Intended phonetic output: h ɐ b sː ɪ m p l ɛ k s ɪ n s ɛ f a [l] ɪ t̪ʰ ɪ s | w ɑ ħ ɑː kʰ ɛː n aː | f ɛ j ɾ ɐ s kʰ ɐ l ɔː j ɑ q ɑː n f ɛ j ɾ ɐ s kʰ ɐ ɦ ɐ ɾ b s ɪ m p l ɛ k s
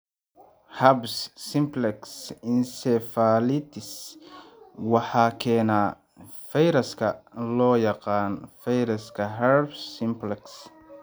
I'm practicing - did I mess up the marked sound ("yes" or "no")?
no